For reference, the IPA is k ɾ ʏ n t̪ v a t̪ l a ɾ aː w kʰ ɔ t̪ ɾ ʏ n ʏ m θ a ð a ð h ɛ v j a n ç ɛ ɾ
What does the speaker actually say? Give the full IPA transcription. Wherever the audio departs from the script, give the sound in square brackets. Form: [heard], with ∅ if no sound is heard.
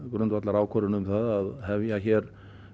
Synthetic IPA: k ɾ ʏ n t̪ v a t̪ l a ɾ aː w kʰ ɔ [∅] ɾ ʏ n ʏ m θ a ð a ð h ɛ v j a [∅] ç ɛ ɾ